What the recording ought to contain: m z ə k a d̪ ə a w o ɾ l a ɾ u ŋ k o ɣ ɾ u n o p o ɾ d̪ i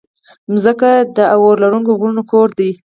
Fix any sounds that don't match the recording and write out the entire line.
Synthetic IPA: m z ə k a d̪ ə a w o ɾ l a ɾ u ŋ k o ɣ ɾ u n o k o ɾ d̪ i